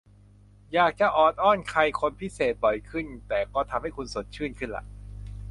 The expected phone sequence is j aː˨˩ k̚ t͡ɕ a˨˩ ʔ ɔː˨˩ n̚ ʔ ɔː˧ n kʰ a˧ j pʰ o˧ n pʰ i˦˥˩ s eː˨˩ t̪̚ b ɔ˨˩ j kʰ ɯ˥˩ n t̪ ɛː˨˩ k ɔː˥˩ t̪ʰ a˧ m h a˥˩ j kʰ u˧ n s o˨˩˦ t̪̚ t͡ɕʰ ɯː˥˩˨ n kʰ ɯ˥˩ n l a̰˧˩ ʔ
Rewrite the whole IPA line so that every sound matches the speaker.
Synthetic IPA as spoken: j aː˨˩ k̚ t͡ɕ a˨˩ ʔ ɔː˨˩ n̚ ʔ ɔː˥˩ n kʰ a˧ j kʰ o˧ n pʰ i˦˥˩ s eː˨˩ t̪̚ b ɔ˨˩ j kʰ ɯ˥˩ n t̪ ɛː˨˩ k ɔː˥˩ t̪ʰ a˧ m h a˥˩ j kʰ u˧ n s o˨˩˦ t̪̚ t͡ɕʰ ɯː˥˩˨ n kʰ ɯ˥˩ n l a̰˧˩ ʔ